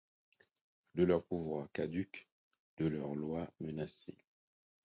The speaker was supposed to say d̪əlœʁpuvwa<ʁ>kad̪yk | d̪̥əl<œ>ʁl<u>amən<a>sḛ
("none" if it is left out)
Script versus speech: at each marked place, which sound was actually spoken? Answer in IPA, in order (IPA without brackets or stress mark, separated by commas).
ʁ, œ, w, a